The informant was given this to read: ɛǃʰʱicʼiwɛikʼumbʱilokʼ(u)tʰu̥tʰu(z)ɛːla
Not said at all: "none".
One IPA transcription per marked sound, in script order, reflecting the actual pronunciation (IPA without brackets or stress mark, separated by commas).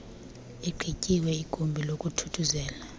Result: u, z